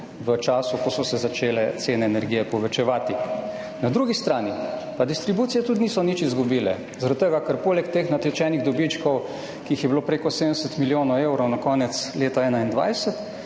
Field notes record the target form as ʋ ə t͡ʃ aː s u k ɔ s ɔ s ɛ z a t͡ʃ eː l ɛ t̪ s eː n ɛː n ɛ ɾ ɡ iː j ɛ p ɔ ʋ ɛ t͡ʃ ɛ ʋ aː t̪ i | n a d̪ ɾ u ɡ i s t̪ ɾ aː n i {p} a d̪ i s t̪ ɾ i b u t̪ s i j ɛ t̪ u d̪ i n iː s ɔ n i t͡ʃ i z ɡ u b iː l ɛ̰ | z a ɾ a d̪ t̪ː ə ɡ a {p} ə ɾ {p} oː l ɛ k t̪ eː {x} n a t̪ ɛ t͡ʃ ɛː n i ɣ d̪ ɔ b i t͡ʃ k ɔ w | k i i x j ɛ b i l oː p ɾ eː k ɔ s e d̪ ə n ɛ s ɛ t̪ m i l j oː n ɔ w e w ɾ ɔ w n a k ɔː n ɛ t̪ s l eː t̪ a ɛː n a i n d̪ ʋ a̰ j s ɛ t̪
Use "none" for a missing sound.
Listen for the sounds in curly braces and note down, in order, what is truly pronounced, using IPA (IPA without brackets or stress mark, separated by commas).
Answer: p, k, p, x